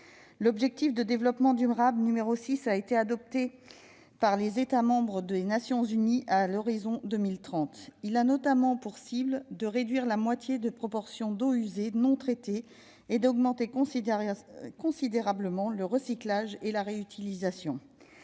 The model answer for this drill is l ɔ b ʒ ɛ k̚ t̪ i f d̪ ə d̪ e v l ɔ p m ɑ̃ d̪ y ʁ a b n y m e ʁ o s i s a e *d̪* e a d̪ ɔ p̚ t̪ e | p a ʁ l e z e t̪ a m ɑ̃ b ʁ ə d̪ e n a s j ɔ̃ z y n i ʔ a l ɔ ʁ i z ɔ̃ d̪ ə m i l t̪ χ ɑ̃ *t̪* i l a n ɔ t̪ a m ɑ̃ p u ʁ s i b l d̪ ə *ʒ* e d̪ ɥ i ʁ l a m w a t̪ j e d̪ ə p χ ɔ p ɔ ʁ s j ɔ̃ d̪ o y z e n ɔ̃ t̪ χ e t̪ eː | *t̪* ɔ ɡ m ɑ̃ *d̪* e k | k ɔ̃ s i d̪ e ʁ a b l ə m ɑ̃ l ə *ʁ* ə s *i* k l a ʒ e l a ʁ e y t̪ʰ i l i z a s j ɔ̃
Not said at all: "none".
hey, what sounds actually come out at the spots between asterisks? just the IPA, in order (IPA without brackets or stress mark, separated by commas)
t̪, t̪, ʁ, d̪, t̪, ʁ, i